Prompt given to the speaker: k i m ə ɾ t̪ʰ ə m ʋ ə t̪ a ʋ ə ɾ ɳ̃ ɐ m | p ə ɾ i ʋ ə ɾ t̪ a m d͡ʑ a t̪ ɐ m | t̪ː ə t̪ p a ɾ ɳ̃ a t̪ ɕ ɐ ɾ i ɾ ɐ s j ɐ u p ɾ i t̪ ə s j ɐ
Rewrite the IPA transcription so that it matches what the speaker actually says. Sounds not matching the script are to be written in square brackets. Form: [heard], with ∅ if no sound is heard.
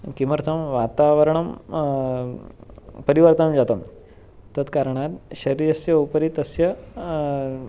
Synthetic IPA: k i m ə ɾ t̪ʰ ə m ʋ [a] t̪ a ʋ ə ɾ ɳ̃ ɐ m | p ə ɾ i ʋ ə ɾ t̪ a m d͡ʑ a t̪ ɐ m | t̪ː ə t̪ [k] a ɾ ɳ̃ a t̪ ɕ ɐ ɾ i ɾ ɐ s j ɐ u p ɾ i t̪ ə s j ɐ